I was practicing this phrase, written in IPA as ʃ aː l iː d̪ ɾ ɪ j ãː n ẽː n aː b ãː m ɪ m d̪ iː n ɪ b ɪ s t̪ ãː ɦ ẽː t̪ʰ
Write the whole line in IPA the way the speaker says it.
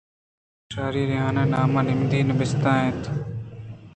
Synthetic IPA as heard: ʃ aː ɾ iː ɾ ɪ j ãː n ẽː n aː m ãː n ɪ m d̪ iː n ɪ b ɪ s t̪ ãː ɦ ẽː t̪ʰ